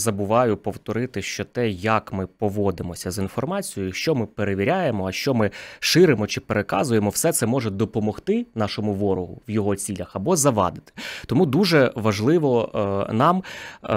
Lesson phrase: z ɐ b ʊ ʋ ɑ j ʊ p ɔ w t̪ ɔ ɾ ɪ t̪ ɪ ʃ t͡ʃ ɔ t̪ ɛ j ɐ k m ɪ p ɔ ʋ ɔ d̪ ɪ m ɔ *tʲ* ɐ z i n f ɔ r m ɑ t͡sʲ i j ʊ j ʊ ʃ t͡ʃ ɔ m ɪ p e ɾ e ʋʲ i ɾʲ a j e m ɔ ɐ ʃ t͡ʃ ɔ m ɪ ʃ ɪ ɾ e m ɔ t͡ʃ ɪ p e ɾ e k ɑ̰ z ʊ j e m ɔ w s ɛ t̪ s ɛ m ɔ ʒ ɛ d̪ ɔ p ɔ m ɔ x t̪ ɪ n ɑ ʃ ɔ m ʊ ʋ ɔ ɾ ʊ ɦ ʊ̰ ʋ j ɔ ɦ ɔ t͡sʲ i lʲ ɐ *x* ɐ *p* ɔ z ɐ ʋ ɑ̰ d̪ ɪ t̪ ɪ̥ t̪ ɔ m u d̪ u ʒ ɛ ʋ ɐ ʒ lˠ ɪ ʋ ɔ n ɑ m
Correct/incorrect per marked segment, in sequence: incorrect: sʲ, correct, incorrect: b

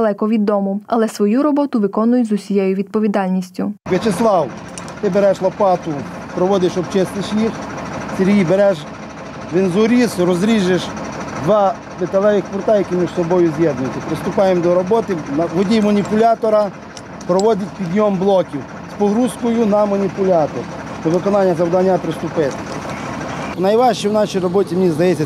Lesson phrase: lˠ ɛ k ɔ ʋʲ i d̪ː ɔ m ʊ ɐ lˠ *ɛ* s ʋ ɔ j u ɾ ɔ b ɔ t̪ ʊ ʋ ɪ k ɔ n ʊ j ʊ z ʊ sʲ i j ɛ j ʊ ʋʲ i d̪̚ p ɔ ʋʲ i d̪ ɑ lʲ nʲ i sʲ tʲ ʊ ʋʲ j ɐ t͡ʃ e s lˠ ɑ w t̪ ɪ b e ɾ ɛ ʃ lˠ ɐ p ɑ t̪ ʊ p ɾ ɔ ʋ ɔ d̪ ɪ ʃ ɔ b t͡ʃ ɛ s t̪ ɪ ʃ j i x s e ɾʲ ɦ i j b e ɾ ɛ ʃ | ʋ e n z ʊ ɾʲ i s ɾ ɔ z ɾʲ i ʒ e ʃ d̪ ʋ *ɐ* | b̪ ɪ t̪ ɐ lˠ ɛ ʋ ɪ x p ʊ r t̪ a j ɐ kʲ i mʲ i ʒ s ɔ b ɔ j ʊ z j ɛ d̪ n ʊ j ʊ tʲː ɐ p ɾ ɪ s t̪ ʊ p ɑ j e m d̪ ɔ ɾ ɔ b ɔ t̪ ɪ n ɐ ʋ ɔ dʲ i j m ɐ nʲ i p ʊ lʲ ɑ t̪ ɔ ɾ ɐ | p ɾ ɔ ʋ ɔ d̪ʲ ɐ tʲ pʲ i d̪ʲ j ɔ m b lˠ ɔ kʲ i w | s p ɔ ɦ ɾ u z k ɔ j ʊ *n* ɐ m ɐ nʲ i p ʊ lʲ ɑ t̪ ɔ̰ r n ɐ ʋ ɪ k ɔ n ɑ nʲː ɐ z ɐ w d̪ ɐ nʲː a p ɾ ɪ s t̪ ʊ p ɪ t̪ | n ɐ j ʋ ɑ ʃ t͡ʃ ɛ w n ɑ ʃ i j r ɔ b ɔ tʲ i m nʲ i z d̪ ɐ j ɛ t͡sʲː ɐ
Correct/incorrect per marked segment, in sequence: correct, incorrect: ɑ, correct

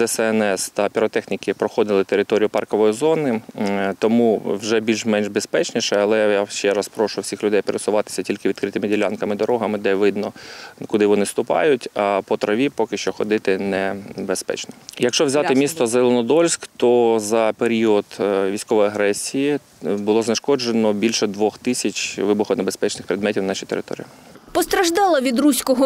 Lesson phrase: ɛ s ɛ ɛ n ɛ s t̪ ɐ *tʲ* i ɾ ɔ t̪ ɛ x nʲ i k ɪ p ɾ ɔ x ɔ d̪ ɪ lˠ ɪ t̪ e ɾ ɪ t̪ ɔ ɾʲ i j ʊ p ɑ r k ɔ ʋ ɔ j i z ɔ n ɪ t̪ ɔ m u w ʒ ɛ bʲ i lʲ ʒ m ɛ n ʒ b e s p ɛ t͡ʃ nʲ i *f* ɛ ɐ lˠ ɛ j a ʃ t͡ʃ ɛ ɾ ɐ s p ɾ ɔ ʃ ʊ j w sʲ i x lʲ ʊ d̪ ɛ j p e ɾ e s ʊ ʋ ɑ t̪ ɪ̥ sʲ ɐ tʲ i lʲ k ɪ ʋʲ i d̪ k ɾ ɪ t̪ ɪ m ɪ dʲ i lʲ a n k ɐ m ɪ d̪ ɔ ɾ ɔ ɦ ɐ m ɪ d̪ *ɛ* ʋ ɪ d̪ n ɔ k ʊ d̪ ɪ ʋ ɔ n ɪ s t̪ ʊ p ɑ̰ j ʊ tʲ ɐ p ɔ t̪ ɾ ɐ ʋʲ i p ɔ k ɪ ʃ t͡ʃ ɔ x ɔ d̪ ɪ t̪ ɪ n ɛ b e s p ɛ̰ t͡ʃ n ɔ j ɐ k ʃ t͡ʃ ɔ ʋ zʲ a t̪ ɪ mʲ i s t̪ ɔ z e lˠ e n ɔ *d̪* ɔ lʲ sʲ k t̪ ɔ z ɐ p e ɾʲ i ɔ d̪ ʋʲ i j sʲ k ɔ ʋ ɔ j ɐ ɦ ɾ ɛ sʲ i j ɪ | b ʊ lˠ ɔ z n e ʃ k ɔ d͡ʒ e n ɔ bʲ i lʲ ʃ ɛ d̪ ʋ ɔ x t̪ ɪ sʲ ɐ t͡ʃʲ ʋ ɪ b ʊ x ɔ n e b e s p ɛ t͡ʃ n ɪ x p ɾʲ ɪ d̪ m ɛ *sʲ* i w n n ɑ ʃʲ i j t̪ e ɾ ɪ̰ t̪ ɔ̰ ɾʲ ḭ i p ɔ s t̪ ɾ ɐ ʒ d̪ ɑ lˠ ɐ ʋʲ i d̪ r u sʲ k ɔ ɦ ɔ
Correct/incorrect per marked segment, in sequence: incorrect: pʲ, incorrect: ʃ, correct, correct, incorrect: tʲ

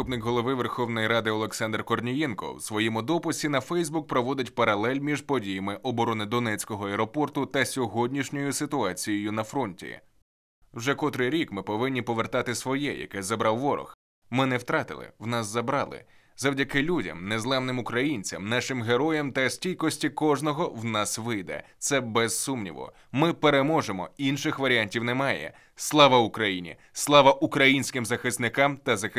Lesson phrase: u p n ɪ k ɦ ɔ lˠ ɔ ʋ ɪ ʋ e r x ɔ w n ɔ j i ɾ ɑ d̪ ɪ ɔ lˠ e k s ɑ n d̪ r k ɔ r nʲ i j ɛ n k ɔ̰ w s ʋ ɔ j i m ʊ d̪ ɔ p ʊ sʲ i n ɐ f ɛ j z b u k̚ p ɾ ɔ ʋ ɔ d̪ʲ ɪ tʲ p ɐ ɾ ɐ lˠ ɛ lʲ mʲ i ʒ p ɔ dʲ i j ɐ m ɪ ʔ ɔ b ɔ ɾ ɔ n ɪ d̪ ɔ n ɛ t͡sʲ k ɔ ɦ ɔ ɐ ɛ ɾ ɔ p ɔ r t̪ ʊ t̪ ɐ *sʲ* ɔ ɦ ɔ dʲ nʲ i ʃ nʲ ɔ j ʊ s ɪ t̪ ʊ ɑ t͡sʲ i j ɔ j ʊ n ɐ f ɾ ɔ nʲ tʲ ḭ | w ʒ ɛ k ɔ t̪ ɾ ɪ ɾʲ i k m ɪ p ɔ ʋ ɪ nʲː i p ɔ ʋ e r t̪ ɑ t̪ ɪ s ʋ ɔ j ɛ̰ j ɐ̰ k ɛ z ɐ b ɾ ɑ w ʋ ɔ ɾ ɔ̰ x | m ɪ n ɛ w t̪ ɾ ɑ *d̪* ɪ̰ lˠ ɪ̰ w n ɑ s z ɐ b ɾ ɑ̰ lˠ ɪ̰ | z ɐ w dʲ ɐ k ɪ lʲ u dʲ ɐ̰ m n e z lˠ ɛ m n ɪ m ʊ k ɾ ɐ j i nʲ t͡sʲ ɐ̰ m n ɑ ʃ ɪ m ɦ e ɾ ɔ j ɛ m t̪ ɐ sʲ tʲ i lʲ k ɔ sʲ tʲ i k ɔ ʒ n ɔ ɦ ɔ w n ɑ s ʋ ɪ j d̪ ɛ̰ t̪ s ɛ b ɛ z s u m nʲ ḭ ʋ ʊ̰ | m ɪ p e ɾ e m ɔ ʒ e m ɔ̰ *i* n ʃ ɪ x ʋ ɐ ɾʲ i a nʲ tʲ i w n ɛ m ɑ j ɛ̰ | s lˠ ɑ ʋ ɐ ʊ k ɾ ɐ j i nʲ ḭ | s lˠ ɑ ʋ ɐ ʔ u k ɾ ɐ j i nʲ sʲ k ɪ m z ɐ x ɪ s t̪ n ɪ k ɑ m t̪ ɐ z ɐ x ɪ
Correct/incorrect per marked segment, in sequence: correct, incorrect: t̪, correct

